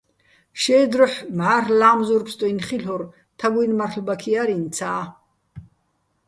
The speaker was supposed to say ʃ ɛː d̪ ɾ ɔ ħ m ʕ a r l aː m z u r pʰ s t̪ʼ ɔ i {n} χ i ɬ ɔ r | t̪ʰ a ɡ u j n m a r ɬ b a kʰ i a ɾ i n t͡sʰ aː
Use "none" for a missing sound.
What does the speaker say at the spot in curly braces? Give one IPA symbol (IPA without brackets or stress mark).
n